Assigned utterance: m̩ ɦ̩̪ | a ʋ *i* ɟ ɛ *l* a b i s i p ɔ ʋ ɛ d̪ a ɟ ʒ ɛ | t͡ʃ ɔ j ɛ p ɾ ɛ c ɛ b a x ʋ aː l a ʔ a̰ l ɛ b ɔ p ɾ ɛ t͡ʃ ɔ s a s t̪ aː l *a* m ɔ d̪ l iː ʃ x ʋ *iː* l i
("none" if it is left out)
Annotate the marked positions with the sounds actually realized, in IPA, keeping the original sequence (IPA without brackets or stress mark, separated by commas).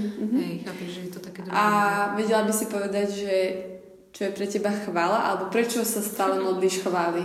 ɛ, l, ɛ, aː